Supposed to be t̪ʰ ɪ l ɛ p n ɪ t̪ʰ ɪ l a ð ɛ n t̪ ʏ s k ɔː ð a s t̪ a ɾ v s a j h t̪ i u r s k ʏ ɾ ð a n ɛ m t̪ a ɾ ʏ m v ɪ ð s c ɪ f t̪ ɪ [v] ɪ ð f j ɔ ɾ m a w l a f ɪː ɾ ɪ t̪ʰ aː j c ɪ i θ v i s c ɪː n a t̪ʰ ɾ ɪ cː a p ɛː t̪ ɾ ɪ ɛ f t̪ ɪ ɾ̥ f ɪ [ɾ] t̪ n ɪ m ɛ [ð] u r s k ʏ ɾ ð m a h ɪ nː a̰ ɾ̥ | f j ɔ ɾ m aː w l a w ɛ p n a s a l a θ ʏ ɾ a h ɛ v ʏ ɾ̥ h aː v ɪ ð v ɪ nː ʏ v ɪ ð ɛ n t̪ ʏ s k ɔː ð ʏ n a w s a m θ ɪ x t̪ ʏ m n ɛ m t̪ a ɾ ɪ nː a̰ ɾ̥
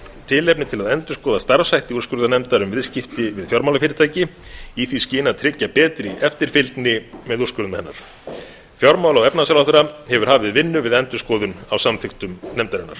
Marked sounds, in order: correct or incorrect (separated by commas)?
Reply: correct, incorrect, correct